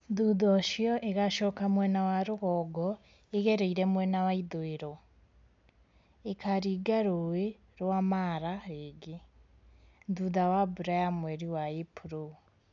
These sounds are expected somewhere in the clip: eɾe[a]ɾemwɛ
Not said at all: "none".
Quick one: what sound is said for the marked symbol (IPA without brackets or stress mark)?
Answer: i